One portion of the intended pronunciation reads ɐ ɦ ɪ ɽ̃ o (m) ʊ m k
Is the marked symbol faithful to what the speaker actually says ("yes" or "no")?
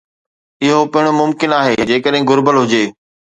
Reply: yes